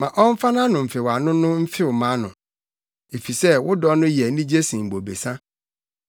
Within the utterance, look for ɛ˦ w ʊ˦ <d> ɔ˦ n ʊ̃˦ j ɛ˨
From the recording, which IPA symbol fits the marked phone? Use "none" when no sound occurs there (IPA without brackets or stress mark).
d